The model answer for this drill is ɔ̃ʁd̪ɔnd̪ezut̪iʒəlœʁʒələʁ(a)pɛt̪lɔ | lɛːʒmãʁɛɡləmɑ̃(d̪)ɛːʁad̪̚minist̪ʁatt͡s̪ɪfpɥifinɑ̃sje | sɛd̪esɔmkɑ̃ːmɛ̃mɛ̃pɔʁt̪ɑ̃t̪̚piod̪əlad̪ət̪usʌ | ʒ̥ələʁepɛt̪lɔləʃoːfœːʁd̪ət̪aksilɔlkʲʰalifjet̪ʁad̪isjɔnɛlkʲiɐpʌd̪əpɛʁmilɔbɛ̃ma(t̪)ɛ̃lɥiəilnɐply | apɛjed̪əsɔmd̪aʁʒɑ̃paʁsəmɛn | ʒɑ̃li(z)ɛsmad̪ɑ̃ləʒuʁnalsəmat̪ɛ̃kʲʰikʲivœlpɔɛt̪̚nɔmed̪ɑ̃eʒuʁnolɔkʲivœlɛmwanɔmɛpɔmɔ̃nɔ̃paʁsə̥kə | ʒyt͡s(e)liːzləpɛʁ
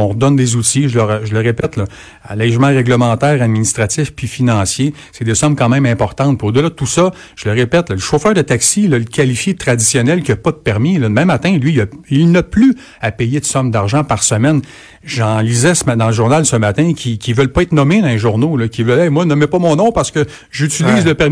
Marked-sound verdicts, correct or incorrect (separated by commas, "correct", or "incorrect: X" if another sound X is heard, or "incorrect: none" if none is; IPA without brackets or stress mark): incorrect: e, incorrect: t̪, correct, correct, incorrect: i